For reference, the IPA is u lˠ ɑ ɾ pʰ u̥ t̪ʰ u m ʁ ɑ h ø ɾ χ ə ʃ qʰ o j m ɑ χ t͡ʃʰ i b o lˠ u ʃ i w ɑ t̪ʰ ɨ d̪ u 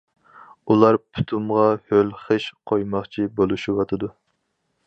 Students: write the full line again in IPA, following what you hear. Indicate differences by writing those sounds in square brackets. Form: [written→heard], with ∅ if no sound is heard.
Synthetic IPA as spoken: u lˠ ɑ ɾ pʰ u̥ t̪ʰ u m ʁ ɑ h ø [ɾ→l] χ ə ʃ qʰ o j m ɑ χ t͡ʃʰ i b o lˠ u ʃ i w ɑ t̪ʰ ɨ d̪ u